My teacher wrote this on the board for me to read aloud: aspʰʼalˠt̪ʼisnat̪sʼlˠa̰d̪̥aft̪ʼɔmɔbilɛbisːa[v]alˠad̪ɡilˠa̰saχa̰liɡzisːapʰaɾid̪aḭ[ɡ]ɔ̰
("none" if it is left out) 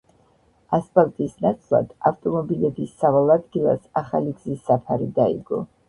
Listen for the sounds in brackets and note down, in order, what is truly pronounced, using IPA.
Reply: v, ɡ

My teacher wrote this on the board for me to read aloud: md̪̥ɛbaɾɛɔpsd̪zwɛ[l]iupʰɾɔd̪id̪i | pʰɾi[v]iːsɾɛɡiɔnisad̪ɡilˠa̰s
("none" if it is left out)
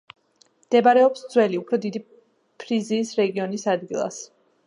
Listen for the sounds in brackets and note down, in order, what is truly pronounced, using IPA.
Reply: l, z

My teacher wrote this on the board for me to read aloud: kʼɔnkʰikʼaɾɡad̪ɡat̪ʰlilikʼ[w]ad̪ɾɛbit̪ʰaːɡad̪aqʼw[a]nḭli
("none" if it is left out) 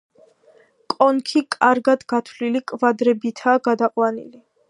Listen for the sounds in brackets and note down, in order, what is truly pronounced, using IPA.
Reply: v, a

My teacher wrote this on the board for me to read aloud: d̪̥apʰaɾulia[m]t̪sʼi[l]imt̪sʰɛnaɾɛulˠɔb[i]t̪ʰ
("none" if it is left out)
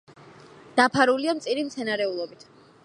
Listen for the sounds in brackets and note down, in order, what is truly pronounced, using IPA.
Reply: m, ɾ, i

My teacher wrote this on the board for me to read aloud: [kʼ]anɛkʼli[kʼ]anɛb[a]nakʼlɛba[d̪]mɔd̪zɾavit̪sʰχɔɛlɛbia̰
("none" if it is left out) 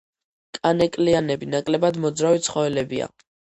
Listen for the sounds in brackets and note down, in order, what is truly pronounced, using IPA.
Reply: kʼ, none, i, d̪

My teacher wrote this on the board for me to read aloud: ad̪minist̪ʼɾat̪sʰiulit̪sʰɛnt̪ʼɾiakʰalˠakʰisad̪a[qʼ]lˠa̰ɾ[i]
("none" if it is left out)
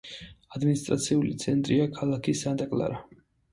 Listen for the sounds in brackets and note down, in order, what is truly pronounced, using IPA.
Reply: kʼ, a

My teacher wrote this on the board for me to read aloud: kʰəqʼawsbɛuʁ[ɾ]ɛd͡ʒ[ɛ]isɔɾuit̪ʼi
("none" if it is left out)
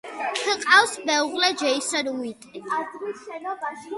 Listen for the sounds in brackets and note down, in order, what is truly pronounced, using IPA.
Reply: l, ɛ

